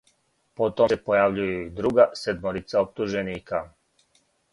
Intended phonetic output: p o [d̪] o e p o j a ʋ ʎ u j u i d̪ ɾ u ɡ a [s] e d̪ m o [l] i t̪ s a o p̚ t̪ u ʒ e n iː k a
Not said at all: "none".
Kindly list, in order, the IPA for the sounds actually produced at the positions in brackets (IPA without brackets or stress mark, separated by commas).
t̪, s, ɾ